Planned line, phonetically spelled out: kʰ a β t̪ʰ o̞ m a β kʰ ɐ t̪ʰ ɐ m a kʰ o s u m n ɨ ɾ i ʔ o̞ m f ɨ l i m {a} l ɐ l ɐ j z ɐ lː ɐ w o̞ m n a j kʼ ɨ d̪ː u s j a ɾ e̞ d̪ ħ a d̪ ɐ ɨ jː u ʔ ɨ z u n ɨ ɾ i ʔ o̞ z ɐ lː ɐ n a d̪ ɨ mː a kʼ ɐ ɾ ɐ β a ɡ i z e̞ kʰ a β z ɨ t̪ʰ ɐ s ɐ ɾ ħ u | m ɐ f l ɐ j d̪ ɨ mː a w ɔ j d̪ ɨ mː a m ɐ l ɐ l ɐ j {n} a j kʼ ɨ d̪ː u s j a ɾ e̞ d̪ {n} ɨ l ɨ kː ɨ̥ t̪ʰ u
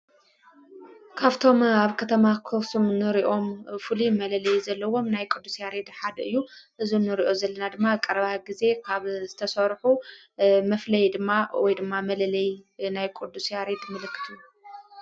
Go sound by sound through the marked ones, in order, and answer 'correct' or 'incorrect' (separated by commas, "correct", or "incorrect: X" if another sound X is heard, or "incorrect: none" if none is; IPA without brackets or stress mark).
incorrect: ɐ, correct, incorrect: m